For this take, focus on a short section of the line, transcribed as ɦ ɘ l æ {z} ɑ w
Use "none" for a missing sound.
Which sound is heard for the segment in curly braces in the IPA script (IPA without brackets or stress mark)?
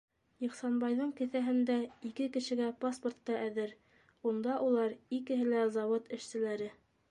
z